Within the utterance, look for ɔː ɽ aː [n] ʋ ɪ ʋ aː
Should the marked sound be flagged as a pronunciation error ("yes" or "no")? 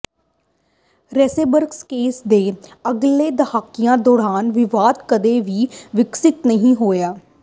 no